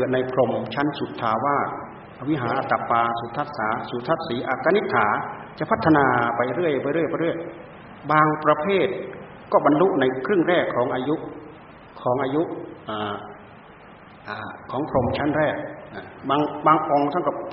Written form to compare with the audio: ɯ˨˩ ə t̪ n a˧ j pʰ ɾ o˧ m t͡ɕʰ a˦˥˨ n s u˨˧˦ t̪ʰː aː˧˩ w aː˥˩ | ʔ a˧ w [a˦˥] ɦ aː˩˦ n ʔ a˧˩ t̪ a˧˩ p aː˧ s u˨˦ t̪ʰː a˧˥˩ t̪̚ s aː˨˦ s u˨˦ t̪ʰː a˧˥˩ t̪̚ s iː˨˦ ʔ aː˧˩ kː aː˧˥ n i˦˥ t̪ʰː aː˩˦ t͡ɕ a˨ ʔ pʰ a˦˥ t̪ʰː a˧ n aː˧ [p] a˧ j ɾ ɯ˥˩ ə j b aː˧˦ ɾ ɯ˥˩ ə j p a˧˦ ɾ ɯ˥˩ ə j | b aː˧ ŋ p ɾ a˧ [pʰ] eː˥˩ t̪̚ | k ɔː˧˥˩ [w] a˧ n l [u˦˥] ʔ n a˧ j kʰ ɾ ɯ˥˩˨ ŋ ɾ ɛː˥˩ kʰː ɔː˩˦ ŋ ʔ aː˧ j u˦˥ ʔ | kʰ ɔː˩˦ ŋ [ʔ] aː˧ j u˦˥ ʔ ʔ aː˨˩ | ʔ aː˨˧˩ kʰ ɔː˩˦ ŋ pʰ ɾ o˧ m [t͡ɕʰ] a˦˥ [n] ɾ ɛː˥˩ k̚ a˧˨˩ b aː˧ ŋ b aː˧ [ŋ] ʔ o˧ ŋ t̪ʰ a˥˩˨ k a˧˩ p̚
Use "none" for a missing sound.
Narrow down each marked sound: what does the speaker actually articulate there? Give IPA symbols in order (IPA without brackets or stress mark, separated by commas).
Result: i˦˥, p, pʰ, b, u˦˥, ʔ, t͡ɕʰ, n, ŋ